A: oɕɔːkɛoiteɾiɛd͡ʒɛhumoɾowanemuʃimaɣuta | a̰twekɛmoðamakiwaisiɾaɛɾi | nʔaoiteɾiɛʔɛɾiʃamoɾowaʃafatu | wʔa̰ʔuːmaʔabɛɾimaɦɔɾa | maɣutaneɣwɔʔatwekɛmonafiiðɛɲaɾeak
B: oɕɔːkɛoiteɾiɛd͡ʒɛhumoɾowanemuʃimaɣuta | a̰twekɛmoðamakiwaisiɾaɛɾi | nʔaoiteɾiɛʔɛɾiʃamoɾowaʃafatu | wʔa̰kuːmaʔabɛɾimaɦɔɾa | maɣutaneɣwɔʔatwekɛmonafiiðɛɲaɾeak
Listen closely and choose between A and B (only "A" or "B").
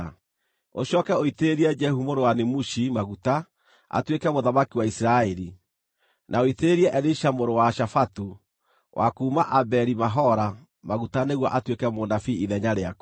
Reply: B